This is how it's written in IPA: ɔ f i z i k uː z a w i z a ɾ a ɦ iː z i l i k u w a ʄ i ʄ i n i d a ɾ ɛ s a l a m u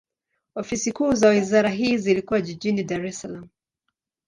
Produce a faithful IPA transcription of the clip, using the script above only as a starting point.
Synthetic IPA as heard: ɔ f i s i k uː z a w i z a ɾ a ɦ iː z i l i k u w a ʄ i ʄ i n i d a ɾ ɛ s a l a m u